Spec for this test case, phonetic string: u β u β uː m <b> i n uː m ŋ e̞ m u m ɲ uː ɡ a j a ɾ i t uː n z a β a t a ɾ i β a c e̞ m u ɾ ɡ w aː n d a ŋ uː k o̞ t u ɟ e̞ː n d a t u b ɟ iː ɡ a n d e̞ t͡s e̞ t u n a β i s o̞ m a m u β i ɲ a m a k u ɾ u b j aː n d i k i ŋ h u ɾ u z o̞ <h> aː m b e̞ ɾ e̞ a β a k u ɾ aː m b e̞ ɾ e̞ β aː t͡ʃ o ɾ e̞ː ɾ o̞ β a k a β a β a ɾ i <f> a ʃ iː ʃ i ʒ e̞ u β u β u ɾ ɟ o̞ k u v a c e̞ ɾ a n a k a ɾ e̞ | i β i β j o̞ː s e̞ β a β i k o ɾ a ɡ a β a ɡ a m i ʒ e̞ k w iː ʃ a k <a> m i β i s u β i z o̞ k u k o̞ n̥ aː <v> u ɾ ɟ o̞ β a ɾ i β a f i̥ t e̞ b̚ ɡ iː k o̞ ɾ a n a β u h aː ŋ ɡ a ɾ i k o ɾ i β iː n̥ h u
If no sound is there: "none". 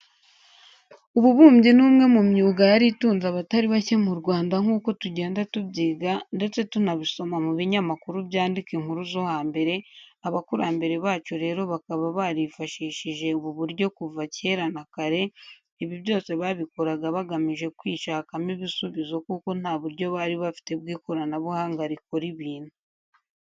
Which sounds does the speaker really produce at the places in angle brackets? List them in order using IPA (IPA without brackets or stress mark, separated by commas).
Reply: ɟ, h, f, a, β